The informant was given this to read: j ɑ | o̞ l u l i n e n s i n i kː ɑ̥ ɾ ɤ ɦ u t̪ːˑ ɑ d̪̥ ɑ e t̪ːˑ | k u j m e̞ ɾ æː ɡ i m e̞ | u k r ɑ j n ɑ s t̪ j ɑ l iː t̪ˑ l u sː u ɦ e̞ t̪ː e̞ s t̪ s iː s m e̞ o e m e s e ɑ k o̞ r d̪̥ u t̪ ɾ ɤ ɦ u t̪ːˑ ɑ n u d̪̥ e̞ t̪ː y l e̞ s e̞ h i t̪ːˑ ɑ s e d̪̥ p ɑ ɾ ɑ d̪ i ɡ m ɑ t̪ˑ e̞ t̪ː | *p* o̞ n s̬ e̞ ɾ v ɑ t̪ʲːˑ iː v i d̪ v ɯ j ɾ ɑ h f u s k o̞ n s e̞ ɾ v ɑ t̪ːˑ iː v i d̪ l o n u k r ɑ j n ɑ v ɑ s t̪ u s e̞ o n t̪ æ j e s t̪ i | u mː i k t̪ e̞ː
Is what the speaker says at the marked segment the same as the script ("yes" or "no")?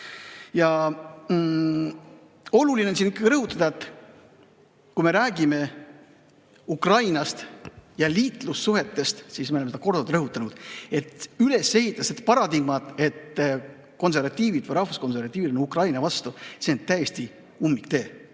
no